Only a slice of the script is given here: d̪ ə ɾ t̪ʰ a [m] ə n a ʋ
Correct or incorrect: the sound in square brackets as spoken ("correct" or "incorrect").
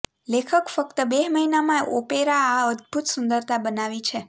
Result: incorrect